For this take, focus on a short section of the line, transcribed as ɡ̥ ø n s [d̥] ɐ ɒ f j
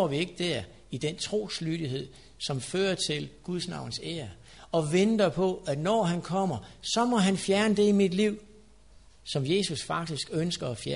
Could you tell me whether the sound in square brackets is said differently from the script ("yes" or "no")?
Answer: yes